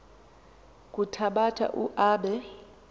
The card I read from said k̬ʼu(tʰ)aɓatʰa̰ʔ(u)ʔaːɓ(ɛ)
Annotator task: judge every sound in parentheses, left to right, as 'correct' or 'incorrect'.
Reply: correct, correct, correct

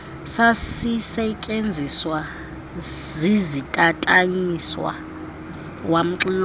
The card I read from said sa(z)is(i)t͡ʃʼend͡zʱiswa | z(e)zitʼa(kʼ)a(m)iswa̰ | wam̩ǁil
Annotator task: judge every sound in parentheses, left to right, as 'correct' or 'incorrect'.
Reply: incorrect: s, incorrect: ɛ, incorrect: i, incorrect: tʼ, incorrect: ɲ

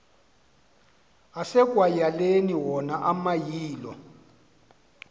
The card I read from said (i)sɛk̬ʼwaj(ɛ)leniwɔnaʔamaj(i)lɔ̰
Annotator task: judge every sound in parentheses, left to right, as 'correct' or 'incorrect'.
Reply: incorrect: a, incorrect: a, incorrect: iː

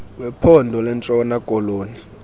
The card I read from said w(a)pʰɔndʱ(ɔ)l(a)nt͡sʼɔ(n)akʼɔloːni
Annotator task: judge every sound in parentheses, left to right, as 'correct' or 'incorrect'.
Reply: incorrect: ɛ, correct, incorrect: ɛ, correct

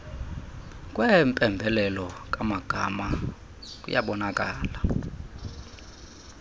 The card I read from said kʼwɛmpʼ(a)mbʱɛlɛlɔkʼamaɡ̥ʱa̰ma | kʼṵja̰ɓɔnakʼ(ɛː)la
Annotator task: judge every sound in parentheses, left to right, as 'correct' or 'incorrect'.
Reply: incorrect: ɛ, incorrect: aː

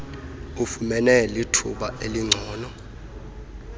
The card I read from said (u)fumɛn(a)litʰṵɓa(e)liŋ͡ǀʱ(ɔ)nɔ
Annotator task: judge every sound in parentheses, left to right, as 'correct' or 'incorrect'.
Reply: correct, incorrect: ɛ, correct, incorrect: ɔː

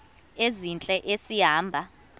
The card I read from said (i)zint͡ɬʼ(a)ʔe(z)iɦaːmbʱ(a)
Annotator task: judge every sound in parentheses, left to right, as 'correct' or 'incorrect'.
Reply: incorrect: e, incorrect: ɛ, incorrect: s, correct

